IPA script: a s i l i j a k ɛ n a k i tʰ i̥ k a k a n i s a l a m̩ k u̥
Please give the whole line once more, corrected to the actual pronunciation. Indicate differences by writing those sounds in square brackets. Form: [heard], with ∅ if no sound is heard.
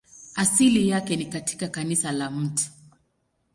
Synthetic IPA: a s i l i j a k ɛ n [i] k [a] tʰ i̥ k a k a n i s a l a m̩ [t] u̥